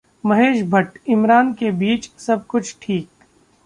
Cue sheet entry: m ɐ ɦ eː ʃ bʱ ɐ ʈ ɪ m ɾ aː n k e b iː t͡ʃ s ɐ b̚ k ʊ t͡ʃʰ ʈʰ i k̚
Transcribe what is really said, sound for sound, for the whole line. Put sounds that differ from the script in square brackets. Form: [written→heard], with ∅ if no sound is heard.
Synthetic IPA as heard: m ɐ ɦ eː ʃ bʱ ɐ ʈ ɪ m ɾ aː n k e b iː t͡ʃ s ɐ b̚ k ʊ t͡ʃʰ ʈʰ [i→iː] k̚

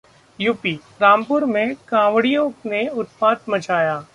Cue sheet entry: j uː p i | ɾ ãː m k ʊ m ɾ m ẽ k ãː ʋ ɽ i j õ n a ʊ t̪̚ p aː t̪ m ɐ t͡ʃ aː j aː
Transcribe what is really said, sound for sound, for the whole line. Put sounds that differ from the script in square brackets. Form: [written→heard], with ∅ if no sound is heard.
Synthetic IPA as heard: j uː p i | ɾ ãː m [k→p] ʊ [m→∅] ɾ m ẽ k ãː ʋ ɽ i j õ n [a→e] ʊ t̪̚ p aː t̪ m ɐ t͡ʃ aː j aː

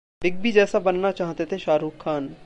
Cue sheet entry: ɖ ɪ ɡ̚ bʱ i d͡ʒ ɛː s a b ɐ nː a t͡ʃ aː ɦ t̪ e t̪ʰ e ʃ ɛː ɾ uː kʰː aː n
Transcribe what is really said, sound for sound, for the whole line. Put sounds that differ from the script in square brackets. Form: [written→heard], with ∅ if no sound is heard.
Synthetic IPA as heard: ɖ ɪ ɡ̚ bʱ i d͡ʒ ɛː s a b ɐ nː a t͡ʃ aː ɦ t̪ e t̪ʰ e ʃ [ɛː→aː] ɾ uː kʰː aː n

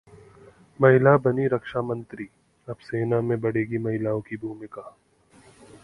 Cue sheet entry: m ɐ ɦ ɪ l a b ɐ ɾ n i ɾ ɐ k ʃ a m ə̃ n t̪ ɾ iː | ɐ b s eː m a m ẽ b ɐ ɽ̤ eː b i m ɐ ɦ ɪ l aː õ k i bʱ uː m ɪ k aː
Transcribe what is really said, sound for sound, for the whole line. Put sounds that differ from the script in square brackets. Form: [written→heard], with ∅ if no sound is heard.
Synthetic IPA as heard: m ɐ ɦ ɪ l a b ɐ [ɾ→∅] n i ɾ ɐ k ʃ a m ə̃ n t̪ ɾ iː | ɐ b s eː [m→n] a m ẽ b ɐ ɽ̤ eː [b→ɡ] i m ɐ ɦ ɪ l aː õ k i bʱ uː m ɪ k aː

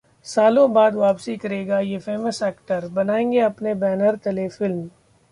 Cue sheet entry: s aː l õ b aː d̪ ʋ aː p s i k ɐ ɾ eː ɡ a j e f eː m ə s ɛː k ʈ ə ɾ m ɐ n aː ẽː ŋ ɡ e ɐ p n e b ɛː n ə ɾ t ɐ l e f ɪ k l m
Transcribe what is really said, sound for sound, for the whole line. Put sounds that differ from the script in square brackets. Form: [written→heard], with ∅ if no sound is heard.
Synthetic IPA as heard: s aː l õ b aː d̪ ʋ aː p s i k ɐ ɾ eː ɡ a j e f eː m ə s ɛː k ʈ ə ɾ [m→b] ɐ n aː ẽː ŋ ɡ e ɐ p n e b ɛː n ə ɾ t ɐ l e f ɪ [k→∅] l m

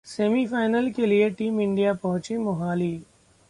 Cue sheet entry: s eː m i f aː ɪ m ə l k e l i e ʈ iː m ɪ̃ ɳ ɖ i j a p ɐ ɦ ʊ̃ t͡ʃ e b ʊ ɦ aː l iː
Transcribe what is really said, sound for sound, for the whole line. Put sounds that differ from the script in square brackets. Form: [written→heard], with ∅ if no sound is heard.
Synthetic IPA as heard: s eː m i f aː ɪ [m→n] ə l k e l i e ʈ iː m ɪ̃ ɳ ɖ i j a p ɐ ɦ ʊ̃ t͡ʃ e [b→m] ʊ ɦ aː l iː

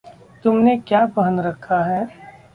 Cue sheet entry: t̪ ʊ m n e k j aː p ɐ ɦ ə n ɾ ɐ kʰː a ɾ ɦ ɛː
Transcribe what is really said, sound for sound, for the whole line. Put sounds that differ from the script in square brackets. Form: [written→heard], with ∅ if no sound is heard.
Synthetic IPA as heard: t̪ ʊ m n e k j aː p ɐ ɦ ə n ɾ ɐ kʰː a [ɾ→∅] ɦ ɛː

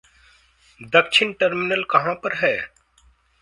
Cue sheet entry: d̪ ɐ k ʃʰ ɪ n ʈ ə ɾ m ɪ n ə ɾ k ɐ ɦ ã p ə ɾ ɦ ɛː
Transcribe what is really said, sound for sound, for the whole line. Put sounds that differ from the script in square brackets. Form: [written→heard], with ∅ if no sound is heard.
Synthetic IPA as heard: d̪ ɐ k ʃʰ ɪ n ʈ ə ɾ m ɪ n ə [ɾ→l] k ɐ ɦ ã p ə ɾ ɦ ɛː

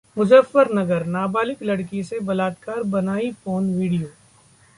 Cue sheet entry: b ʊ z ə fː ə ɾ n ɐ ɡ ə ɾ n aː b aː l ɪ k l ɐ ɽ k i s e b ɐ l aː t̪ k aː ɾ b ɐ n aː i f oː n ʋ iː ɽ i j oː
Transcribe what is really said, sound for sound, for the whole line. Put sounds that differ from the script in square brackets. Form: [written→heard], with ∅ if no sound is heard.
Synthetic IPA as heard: [b→m] ʊ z ə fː ə ɾ n ɐ ɡ ə ɾ n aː b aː l ɪ k l ɐ ɽ k i s e b ɐ l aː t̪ k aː ɾ b ɐ n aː i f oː n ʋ iː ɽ i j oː

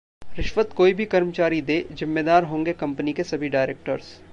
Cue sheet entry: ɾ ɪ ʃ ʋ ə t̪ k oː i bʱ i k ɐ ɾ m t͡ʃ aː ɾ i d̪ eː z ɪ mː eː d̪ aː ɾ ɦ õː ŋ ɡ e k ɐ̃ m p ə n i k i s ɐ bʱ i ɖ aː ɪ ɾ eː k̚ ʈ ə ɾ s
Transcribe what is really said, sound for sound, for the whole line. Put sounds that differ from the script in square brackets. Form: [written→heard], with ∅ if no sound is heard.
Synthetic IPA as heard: ɾ ɪ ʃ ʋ ə t̪ k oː i bʱ i k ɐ ɾ m t͡ʃ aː ɾ i d̪ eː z ɪ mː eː d̪ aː ɾ ɦ õː ŋ ɡ e k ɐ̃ m p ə n i k [i→e] s ɐ bʱ i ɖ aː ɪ ɾ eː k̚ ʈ ə ɾ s

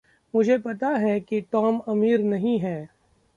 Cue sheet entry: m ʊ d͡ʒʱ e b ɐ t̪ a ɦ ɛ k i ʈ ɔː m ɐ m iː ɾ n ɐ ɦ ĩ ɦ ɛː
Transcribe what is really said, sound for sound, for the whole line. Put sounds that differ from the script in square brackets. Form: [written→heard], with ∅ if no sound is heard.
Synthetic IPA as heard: m ʊ d͡ʒʱ e [b→p] ɐ t̪ a ɦ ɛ k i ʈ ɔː m ɐ m iː ɾ n ɐ ɦ ĩ ɦ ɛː

